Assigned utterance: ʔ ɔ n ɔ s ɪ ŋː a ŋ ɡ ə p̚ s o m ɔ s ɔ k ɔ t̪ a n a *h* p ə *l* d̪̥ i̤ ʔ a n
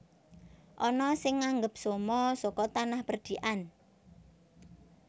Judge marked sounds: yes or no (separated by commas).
yes, no